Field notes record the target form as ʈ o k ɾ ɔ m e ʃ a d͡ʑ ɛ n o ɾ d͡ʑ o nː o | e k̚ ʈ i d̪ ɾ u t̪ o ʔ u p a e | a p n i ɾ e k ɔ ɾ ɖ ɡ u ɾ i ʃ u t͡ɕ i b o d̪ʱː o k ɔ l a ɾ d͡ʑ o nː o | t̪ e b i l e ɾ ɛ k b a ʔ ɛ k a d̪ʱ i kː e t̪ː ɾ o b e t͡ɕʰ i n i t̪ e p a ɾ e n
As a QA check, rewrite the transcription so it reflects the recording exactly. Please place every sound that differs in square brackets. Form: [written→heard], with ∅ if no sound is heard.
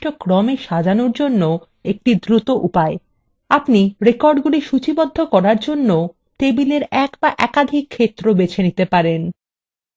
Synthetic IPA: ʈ o k ɾ ɔ m e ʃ a d͡ʑ [ɛ→a] n o ɾ d͡ʑ o nː o | e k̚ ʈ i d̪ ɾ u t̪ o ʔ u p a e | a p n i ɾ e k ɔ ɾ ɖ ɡ u [ɾ→l] i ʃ u t͡ɕ i b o d̪ʱː o k ɔ [l→ɾ] a ɾ d͡ʑ o nː o | t̪ e b i l e ɾ ɛ k b a ʔ ɛ k a d̪ʱ i [kː→kʰː] e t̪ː ɾ o b e t͡ɕʰ [i→e] n i t̪ e p a ɾ e n

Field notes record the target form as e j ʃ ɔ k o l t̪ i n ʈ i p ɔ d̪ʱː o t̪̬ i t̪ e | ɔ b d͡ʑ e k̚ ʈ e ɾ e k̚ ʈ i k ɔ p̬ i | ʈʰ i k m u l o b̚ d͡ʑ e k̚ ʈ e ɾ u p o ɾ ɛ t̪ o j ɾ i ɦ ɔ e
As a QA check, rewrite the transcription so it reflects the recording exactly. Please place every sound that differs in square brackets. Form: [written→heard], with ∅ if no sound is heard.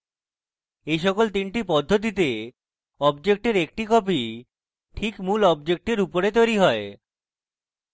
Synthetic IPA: e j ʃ ɔ k o l t̪ i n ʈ i p ɔ d̪ʱː o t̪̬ i t̪ e | ɔ b d͡ʑ e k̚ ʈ e ɾ e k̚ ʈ i k ɔ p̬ i | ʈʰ i k m u l [o→ɔ] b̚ d͡ʑ e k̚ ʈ e ɾ u p o ɾ [ɛ→e] t̪ o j ɾ i ɦ ɔ e

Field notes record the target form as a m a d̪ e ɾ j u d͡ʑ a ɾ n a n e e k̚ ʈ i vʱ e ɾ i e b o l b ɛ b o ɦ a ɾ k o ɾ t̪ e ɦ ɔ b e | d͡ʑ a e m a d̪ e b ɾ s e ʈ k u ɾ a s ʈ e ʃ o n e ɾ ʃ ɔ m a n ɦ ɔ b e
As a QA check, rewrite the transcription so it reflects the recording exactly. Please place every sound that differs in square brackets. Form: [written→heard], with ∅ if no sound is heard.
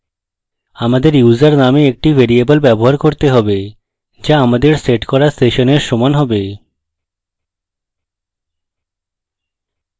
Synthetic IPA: a m a d̪ e ɾ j u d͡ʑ a ɾ n a [n→m] e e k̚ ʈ i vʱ e ɾ i e b o l b ɛ b o ɦ a ɾ k o ɾ t̪ e ɦ ɔ b e | d͡ʑ a [e→a] m a d̪ e [b→∅] ɾ s e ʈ k [u→ɔ] ɾ a s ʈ e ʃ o n e ɾ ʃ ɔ m a n ɦ ɔ b e

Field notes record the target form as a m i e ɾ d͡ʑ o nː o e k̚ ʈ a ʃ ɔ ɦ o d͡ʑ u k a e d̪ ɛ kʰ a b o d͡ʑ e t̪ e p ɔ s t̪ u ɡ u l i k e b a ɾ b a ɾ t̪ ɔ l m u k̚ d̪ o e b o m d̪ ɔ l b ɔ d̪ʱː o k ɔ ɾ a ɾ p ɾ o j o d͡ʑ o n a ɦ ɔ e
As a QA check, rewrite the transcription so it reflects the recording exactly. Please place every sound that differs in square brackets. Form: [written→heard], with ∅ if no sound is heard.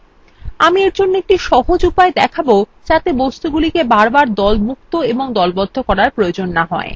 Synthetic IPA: a m i e ɾ d͡ʑ o nː o e k̚ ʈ [a→i] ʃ ɔ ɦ o d͡ʑ u [k→p] a e d̪ ɛ kʰ a b o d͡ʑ [e→a] t̪ e [p→b] ɔ s t̪ u ɡ u l i k e b a ɾ b a ɾ [t̪→d̪] ɔ l m u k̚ [d̪→t̪] o e b o [m→ŋ] d̪ ɔ l b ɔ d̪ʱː o k ɔ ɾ a ɾ p ɾ o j o d͡ʑ o [n→nː] a ɦ ɔ e

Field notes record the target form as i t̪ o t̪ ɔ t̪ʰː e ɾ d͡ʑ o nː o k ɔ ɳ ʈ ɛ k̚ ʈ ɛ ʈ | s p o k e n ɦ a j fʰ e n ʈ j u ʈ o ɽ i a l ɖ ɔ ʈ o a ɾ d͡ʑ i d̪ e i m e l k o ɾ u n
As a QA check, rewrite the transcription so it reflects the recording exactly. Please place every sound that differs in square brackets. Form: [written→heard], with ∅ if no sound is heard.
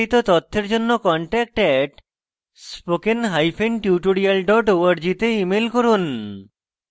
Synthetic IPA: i t̪ o t̪ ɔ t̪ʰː e ɾ d͡ʑ o nː o k ɔ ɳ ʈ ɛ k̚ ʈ ɛ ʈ | s p o k e n ɦ a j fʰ e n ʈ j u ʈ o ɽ i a l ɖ ɔ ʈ o a ɾ d͡ʑ i [d̪→t̪] e i m e l k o ɾ u n

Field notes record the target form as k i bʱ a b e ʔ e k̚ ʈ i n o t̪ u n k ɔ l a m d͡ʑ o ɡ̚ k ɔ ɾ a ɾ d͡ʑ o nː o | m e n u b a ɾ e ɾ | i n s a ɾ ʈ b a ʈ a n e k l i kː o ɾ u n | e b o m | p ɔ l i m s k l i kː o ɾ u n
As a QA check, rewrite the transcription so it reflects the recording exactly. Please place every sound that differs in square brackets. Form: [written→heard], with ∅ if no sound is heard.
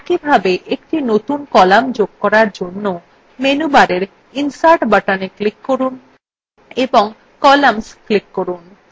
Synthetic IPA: k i bʱ a b e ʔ e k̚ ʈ i n o t̪ u n k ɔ l a m d͡ʑ o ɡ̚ k ɔ ɾ a ɾ d͡ʑ o nː o | m e n u b a ɾ e ɾ | i n s a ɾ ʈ b a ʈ a n e k l i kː o ɾ u n | e b o [m→ŋ] | [p→k] ɔ l [i→a] m s k l i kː o ɾ u n

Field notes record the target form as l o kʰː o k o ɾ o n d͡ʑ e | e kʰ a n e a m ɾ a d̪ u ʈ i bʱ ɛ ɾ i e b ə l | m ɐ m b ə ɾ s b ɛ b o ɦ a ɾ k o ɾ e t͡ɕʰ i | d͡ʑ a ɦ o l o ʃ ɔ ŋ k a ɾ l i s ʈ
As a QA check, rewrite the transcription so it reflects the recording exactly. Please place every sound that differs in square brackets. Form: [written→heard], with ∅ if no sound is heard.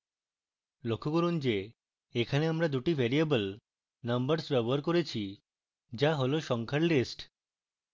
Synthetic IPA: l o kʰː o k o ɾ [o→u] n d͡ʑ e | e kʰ a n e a m ɾ a d̪ u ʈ i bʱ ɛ ɾ i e b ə l | [m→n] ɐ m b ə ɾ s b ɛ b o ɦ a ɾ k o ɾ e t͡ɕʰ i | d͡ʑ a ɦ o l o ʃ ɔ ŋ [k→kʰ] a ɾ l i s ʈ

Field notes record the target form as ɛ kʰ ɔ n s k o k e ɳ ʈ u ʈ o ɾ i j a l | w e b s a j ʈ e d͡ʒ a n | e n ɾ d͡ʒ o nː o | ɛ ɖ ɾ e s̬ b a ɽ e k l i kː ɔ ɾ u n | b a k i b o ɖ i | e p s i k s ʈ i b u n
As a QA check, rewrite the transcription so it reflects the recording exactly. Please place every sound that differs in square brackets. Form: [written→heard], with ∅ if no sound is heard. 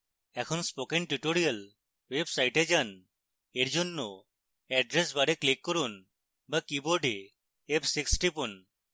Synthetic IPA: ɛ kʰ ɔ n s [k→p] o k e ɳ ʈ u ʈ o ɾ i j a l | w e b s a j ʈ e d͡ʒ a n | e [n→∅] ɾ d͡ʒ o nː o | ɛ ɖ ɾ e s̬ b a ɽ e k l i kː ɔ ɾ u n | b a k i b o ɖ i | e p s i k s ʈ i [b→p] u n

